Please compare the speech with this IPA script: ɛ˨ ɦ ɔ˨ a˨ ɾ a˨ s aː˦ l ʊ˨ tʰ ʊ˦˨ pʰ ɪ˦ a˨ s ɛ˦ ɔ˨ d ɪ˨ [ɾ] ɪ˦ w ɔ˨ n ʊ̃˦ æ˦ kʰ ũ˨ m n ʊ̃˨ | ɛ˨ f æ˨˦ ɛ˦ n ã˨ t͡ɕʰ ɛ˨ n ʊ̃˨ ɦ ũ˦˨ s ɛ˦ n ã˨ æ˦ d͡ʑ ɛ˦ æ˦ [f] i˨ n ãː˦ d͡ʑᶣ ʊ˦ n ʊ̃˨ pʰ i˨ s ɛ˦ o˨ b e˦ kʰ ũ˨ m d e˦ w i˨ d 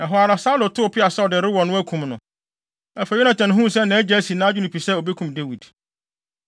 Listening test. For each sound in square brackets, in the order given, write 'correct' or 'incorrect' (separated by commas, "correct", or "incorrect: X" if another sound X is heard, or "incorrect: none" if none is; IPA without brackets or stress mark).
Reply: correct, incorrect: s